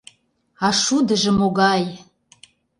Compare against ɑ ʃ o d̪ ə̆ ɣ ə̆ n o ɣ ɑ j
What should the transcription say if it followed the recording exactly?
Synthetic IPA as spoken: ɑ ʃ u d̪ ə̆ ʒ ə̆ m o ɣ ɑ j